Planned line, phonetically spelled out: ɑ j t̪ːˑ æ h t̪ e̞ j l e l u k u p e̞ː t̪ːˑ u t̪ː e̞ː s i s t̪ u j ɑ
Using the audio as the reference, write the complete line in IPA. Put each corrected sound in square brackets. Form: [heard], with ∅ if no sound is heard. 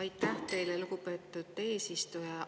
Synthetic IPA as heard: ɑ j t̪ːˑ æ h t̪ e̞ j l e l u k u p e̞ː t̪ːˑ u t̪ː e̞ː s i s t̪ u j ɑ